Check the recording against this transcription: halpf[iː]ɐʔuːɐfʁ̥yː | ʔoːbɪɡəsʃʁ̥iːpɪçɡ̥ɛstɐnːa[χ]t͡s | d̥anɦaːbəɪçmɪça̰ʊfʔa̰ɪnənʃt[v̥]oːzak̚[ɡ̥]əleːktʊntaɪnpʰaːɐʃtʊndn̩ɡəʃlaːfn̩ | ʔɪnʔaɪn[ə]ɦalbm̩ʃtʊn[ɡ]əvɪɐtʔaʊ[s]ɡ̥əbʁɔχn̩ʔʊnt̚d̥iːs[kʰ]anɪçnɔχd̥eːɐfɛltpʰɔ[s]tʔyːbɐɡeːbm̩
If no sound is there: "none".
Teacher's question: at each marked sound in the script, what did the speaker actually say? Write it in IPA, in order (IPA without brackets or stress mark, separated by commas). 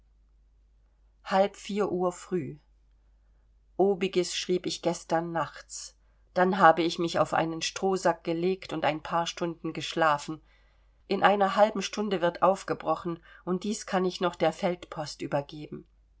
iː, χ, ʁ̥, ɡ̥, ɐ, d, f, kʰ, s